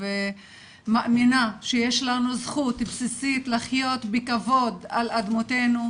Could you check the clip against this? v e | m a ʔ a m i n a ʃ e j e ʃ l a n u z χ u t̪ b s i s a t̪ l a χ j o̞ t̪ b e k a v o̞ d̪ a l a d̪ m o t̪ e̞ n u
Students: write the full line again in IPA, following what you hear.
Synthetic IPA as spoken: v e | m a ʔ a m i n a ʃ e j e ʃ l a n u z χ u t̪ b s i s i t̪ l a χ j o̞ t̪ b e k a v o̞ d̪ a l a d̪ m o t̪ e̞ n u

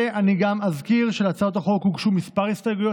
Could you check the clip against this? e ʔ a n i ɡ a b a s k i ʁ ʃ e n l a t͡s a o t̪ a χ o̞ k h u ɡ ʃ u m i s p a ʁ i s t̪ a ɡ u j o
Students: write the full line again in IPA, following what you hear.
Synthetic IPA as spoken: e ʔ a n i ɡ a m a z k i ʁ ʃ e l a t͡s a o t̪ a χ o̞ k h u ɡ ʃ u m i s p a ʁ i s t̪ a ɡ u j o

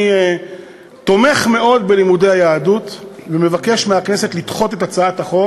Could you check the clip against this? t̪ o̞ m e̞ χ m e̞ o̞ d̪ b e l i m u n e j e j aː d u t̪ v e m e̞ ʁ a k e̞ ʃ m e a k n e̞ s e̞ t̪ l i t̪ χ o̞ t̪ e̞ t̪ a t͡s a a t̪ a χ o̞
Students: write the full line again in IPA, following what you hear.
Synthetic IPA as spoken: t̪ o̞ m e̞ χ m e̞ o̞ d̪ b e l i m u d e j a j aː d u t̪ v e m e̞ v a k e̞ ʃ m e a k n e̞ s e̞ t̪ l i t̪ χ o̞ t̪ e̞ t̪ a t͡s a a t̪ a χ o̞

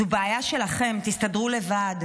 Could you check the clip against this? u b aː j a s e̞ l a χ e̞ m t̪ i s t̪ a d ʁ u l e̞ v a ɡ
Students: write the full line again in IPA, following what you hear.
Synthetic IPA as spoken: u b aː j a ʃ e̞ l a χ e̞ m t̪ i s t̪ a d ʁ u l e̞ v a d

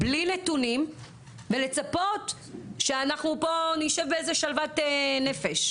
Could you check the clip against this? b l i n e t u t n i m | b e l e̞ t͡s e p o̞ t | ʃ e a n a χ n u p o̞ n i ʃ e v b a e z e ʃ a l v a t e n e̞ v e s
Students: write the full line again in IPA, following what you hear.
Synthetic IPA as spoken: b l i n e t u n i m | v e l e̞ t͡s a p o̞ t | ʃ e a n a χ n u p o̞ n i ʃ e v b e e z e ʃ a l v a t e n e̞ f e ʃ

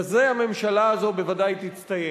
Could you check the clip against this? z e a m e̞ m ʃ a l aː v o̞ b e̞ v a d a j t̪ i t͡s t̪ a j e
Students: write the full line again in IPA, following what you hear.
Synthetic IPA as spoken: z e a m e̞ m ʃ a l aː z o̞ b e̞ v a d a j t̪ i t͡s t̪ a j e

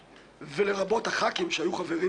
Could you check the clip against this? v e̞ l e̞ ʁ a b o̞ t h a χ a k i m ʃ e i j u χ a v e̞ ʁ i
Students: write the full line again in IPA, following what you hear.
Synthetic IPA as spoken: v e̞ l e̞ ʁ a b o̞ t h a χ a k i m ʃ e a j u χ a v e̞ ʁ i

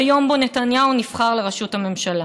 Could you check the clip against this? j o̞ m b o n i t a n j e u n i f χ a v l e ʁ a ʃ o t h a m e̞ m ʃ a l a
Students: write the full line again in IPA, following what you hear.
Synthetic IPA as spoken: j o̞ m b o n e t a n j a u n i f χ a ʁ l e ʁ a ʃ u t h a m e̞ m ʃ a l a

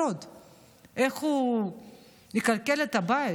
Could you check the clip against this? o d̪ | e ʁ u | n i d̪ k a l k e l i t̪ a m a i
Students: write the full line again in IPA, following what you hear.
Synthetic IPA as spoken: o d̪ | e χ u | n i k a l k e l e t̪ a b a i

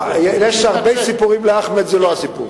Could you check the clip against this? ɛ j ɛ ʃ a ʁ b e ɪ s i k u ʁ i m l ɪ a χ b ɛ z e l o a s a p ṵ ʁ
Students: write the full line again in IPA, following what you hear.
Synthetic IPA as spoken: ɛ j ɛ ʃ a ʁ b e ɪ s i p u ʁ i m l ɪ a χ m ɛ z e l o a s i p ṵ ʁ

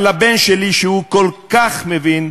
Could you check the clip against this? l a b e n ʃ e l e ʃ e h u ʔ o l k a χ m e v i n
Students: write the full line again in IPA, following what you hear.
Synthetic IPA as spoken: l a b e n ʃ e l i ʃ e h u k o l k a χ m e v i n

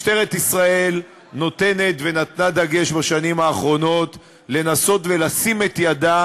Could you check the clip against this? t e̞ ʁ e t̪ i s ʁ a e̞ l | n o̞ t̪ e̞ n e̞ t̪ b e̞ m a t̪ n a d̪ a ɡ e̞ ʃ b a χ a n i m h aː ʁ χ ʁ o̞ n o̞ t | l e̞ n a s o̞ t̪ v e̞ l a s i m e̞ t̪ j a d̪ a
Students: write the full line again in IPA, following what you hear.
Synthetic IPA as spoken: t e̞ ʁ e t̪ i s ʁ a e̞ l | n o̞ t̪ e̞ n e̞ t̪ v e̞ n a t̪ n a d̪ a ɡ e̞ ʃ b a ʃ a n i m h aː χ ʁ o̞ n o̞ t | l e̞ n a s o̞ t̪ v e̞ l a s i m e̞ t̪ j a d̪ a

